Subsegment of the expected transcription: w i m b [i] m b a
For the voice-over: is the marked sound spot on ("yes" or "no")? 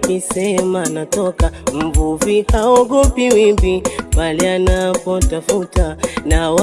yes